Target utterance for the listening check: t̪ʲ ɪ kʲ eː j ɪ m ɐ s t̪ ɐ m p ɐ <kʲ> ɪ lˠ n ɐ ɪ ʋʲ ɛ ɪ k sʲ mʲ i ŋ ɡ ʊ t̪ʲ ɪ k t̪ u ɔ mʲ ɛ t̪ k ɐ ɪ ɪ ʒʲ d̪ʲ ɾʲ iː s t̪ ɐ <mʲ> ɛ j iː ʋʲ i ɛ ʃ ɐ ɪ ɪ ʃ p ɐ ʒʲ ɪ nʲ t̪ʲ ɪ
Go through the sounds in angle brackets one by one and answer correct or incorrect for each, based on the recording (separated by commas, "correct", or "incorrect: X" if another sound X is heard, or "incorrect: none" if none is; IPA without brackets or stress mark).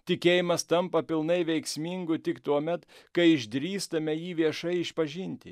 incorrect: pʲ, correct